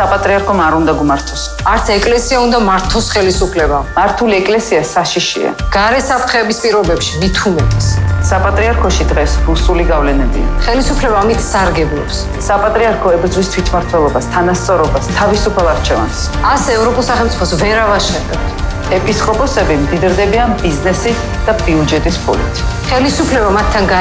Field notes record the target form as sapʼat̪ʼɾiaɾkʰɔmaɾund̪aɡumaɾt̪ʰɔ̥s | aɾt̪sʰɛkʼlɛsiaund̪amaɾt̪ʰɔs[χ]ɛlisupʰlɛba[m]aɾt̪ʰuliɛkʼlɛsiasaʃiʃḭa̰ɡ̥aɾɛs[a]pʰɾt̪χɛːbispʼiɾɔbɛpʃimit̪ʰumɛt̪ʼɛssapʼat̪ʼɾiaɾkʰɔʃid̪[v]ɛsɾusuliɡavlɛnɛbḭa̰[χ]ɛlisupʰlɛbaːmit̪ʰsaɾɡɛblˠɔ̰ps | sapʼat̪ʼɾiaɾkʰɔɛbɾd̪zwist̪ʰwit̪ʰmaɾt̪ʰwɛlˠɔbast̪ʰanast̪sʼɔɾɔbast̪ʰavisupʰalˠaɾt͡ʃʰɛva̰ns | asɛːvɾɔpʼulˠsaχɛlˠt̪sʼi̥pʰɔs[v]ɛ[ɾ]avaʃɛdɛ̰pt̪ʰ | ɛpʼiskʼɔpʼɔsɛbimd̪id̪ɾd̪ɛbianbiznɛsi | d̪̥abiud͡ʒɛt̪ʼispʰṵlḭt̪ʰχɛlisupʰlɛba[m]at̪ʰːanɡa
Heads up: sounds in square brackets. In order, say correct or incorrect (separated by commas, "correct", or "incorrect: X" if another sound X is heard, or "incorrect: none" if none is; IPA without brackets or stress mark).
correct, correct, correct, incorrect: ʁ, correct, correct, correct, correct